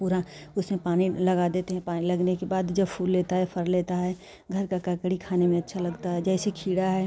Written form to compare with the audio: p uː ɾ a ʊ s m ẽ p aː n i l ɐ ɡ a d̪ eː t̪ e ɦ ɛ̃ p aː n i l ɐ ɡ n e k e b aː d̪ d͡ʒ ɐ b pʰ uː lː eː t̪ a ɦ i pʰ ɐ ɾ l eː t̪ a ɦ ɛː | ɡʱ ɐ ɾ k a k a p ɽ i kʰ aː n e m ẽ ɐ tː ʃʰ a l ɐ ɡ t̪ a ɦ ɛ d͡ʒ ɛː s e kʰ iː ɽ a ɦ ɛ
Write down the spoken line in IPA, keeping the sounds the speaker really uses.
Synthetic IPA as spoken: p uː ɾ a ʊ s m ẽ p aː n i l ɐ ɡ a d̪ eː t̪ e ɦ ɛ̃ p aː n i l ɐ ɡ n e k e b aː d̪ d͡ʒ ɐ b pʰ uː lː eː t̪ a ɦ ɛ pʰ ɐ ɾ l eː t̪ a ɦ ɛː | ɡʱ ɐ ɾ k a k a k ɽ i kʰ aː n e m ẽ ɐ tː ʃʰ a l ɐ ɡ t̪ a ɦ ɛ d͡ʒ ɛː s e kʰ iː ɽ a ɦ ɛ